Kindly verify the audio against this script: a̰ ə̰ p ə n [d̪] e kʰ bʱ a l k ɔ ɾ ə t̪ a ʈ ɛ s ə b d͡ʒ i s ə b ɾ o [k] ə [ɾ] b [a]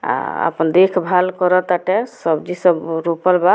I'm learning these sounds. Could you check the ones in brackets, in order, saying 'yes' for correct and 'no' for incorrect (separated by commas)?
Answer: yes, no, no, yes